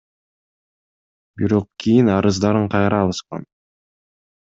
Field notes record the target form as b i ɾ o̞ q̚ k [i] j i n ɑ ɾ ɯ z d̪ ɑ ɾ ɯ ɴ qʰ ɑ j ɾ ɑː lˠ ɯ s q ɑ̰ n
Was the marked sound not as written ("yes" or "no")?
no